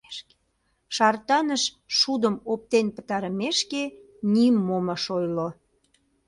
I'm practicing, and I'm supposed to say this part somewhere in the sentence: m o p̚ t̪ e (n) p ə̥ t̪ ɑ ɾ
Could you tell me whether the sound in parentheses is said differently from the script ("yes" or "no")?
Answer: no